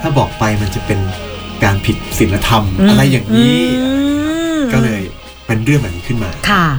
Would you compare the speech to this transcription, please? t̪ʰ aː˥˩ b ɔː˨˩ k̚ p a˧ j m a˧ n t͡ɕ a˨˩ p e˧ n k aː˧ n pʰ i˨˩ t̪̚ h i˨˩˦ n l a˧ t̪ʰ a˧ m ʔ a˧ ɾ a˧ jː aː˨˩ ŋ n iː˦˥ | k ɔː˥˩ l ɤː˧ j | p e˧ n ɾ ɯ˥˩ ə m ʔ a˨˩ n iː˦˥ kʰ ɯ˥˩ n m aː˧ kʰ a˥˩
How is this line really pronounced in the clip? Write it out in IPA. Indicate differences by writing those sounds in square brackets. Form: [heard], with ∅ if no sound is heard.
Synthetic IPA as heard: t̪ʰ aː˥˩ b ɔː˨˩ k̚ p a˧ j m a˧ n t͡ɕ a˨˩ p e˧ n k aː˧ n pʰ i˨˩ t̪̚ [s] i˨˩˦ n l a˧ t̪ʰ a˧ m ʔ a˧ ɾ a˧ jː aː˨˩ ŋ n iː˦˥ | k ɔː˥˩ l ɤː˧ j | p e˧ n ɾ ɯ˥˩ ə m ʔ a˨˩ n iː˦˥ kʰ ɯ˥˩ n m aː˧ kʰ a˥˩